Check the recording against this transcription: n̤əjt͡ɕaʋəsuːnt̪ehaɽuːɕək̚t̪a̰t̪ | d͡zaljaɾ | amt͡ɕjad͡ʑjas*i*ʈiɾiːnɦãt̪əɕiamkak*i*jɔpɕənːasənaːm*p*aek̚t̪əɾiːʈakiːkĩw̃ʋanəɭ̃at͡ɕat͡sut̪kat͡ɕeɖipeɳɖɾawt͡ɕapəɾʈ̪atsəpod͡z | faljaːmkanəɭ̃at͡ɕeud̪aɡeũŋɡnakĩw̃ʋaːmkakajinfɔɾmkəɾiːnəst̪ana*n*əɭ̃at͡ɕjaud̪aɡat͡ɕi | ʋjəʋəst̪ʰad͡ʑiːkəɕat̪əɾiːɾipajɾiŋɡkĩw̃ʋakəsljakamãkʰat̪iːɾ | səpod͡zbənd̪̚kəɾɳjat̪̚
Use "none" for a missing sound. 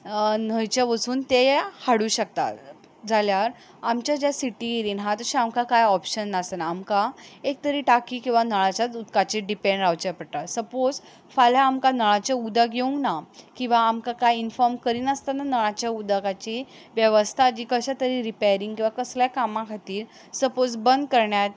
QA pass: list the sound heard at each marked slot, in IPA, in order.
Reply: i, a, k, n

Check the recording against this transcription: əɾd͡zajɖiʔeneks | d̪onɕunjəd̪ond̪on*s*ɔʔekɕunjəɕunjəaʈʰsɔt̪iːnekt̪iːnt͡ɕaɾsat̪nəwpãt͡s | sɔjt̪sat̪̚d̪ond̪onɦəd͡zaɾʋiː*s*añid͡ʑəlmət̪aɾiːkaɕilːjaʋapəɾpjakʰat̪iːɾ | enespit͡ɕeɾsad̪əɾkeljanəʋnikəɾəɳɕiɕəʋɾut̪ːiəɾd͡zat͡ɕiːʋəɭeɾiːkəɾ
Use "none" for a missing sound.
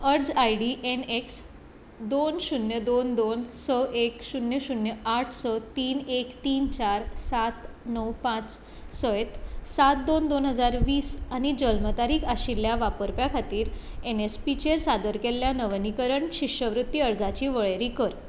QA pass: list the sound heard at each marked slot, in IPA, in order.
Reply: s, s

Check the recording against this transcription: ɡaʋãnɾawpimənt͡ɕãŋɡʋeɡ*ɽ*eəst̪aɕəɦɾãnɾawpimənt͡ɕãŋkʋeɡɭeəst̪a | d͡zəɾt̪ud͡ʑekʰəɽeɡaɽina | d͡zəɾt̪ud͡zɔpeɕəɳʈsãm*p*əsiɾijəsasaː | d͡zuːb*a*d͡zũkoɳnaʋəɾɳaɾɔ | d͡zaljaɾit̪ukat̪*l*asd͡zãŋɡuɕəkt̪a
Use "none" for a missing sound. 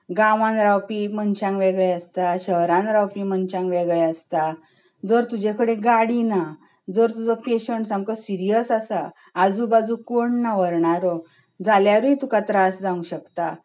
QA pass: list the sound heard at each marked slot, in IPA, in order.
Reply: ɭ, k, a, ɾ

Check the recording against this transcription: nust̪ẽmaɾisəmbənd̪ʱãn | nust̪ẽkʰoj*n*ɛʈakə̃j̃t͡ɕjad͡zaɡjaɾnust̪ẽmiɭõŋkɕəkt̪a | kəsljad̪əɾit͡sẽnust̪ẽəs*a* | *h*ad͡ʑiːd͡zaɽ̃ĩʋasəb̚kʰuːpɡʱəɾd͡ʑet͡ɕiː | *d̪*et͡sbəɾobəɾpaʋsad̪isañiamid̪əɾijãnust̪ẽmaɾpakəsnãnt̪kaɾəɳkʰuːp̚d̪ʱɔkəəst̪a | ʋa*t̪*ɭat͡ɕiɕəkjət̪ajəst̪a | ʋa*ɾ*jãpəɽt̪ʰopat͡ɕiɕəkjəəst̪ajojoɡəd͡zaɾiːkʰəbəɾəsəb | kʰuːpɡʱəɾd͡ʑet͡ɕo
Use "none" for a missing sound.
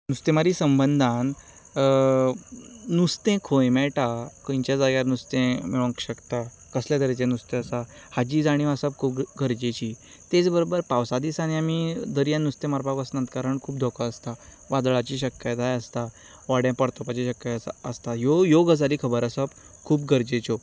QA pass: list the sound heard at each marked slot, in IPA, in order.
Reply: m, a, h, t̪, d̪, ɽ

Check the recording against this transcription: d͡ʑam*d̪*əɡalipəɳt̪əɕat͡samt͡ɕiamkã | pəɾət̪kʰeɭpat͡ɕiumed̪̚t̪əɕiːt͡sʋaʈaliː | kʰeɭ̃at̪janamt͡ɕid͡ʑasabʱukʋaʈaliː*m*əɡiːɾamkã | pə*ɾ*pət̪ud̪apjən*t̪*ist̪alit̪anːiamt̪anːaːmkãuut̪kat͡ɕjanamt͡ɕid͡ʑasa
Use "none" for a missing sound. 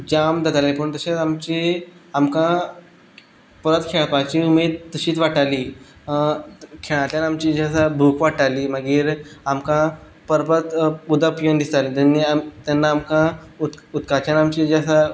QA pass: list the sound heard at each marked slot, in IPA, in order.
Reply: d̪, m, ɾ, d̪

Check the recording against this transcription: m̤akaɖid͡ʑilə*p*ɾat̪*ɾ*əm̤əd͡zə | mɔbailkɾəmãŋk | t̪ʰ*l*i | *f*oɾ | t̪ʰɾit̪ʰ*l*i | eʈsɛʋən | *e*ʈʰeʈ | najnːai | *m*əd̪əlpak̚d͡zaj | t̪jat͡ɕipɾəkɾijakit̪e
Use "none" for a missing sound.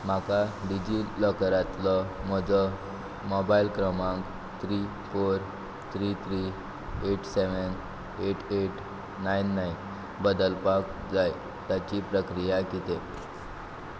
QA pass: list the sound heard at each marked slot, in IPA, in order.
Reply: k, l, ɾ, f, ɾ, e, b

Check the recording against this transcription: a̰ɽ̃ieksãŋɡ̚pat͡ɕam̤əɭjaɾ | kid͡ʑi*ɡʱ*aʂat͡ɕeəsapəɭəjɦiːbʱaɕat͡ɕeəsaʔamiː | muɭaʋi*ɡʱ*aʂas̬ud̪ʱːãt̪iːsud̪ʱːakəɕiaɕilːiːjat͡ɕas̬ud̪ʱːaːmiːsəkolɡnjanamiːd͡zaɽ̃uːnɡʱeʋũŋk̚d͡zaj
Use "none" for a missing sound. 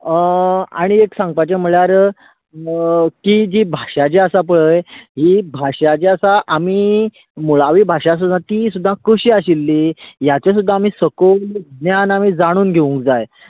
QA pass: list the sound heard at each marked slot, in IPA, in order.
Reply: bʱ, bʱ

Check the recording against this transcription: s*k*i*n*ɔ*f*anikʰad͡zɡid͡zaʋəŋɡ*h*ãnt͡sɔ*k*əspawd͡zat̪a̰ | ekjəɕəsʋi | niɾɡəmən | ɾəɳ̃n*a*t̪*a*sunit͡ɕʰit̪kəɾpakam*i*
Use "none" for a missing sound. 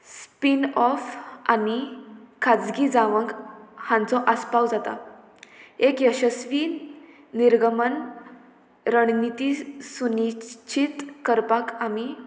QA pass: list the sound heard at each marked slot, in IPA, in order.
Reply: p, n, f, h, ʔ, i, i, i

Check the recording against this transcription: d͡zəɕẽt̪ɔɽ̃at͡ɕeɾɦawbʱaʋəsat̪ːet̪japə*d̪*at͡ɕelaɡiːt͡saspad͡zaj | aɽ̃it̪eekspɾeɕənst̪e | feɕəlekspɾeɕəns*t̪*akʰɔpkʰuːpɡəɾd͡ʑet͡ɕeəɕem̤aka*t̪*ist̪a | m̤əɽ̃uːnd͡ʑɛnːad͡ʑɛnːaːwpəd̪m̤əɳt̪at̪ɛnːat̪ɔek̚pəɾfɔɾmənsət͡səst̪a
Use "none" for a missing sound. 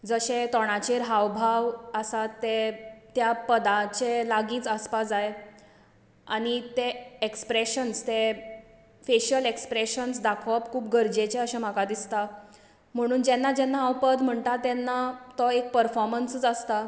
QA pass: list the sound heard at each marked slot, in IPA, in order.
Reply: d̪, d̪, d̪

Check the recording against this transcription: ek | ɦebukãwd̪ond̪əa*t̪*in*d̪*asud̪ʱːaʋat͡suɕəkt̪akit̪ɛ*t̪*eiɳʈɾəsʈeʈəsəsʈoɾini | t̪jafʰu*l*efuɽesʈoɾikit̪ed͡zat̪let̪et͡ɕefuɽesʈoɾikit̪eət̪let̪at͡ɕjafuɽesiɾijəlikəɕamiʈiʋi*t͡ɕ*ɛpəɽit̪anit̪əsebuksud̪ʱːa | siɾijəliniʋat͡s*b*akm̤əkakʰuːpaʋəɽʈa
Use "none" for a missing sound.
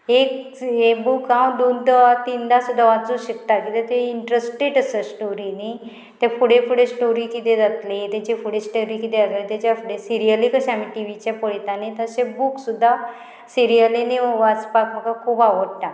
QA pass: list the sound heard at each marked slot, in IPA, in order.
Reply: t̪, d̪, t̪, ɽ, t͡ɕ, p

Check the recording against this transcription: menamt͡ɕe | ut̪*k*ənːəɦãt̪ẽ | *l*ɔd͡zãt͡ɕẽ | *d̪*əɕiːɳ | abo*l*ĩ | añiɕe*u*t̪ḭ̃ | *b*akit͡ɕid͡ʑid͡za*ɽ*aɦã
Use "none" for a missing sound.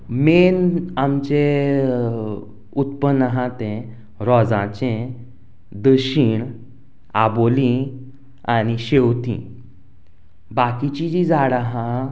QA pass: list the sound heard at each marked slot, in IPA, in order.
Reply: p, ɾ, d̪, l, w, b, ɽ

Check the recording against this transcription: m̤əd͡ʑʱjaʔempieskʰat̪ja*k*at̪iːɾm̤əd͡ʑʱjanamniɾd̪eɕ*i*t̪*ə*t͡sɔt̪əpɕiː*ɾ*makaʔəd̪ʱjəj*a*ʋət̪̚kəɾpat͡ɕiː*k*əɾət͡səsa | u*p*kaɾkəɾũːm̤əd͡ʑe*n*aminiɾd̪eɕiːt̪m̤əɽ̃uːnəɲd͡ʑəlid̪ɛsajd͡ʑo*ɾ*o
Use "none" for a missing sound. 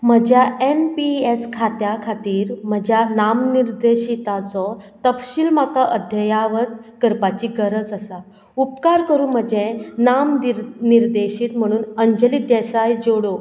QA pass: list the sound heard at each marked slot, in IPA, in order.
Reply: kʰ, i, a, l, a, ɡ, p, n, ɽ

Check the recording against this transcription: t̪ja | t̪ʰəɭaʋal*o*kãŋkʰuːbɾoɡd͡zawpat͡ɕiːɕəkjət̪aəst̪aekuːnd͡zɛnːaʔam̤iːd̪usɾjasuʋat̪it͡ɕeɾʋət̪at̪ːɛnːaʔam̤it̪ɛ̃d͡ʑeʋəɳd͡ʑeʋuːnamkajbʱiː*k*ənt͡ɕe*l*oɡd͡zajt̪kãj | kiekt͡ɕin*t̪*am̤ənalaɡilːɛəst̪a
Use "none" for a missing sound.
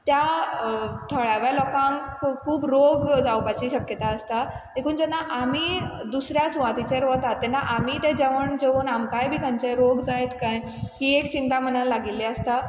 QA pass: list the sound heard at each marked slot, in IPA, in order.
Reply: ɔ, k, ɾ, t̪

